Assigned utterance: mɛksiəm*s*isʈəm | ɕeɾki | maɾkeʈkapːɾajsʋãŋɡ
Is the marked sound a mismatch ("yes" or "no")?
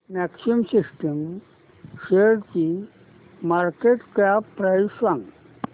no